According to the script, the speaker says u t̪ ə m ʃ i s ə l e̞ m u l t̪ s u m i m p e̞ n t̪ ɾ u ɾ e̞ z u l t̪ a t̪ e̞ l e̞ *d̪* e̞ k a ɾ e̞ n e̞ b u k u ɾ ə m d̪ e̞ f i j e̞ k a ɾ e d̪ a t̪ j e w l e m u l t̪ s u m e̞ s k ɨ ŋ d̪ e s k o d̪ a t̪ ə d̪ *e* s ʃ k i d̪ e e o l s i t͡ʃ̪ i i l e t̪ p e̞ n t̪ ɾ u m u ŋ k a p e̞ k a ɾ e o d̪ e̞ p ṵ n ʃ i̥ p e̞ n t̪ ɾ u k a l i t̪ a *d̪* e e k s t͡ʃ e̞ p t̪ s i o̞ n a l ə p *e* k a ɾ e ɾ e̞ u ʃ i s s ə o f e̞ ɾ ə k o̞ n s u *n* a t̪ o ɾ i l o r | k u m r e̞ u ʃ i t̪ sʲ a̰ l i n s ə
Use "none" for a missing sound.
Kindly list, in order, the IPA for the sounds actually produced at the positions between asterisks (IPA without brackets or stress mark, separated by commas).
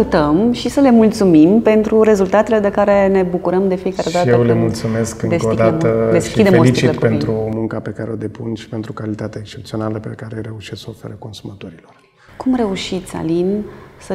d̪, e, t̪, e, m